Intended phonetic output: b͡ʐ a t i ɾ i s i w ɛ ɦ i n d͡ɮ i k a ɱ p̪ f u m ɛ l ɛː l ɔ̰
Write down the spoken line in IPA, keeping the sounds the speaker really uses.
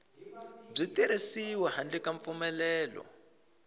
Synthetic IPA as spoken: b͡ʐ i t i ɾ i s i w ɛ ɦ a n d͡ɮ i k a ɱ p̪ f u m ɛ l ɛː l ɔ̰

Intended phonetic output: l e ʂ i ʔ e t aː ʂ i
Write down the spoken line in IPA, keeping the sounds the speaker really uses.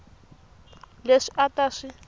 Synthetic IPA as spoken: l e ʂ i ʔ a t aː ʂ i

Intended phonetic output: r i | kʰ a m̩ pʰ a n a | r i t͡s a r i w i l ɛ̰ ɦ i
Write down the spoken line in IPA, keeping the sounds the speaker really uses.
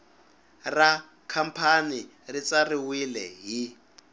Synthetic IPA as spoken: r a | kʰ a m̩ pʰ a n i | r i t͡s a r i w i l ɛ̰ ɦ i

